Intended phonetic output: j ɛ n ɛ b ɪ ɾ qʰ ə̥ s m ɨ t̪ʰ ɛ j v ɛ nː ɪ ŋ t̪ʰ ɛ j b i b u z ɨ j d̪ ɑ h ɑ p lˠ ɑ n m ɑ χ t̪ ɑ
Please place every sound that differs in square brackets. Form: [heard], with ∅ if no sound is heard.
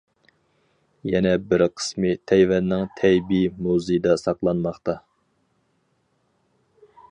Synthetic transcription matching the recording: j ɛ n ɛ b ɪ ɾ qʰ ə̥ s m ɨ t̪ʰ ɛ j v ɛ nː ɪ ŋ t̪ʰ ɛ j b i [m] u z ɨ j d̪ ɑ [s] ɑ [q] lˠ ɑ n m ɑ χ t̪ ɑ